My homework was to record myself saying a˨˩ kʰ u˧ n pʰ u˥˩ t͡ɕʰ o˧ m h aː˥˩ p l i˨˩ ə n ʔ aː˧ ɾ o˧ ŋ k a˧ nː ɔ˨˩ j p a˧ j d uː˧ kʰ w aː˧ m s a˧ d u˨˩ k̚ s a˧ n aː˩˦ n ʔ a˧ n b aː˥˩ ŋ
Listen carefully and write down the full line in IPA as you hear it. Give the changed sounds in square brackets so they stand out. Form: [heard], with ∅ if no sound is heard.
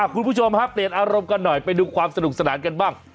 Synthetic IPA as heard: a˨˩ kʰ u˧ n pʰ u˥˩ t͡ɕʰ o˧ m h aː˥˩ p l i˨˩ ə n ʔ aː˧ ɾ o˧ [m] k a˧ nː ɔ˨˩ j p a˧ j d uː˧ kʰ w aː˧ m s a˧ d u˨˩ k̚ s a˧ n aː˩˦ n [k] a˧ n b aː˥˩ ŋ